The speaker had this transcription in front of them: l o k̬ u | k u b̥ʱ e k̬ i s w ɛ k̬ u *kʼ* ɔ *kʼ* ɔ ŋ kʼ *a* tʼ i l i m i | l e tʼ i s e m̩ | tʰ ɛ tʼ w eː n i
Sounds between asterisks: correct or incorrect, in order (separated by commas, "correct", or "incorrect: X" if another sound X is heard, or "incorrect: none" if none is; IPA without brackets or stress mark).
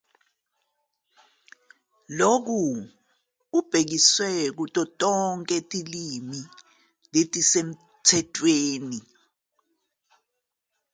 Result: incorrect: tʼ, incorrect: tʼ, incorrect: e